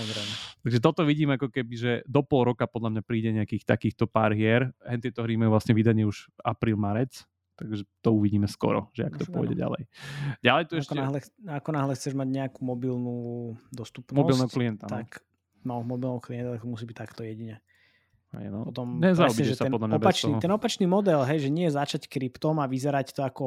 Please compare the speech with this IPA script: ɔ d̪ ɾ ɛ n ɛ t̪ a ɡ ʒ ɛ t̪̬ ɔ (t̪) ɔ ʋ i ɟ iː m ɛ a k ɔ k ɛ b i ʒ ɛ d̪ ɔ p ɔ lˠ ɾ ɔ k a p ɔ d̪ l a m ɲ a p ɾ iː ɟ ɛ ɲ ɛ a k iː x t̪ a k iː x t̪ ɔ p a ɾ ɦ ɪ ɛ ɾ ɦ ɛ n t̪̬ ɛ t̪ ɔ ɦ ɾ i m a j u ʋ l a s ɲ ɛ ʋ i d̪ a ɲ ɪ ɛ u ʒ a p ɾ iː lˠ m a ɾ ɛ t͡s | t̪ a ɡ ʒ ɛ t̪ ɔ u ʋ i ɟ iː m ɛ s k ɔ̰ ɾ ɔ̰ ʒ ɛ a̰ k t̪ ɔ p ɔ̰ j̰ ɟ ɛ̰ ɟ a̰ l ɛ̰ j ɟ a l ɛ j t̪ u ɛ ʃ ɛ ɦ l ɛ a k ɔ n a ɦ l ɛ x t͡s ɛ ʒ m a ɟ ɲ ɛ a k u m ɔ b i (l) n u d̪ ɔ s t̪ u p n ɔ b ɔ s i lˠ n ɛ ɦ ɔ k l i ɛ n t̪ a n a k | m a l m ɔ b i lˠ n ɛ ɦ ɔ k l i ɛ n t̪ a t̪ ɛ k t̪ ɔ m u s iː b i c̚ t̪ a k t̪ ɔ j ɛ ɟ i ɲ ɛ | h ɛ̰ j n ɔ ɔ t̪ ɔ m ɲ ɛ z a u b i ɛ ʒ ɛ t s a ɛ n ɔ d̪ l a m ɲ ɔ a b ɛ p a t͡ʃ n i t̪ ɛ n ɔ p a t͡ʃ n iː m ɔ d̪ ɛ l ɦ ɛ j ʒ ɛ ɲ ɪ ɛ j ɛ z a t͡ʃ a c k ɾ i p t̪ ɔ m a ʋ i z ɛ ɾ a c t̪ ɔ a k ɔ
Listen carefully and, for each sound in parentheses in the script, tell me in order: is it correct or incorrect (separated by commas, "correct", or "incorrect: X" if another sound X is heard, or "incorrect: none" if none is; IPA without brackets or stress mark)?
correct, correct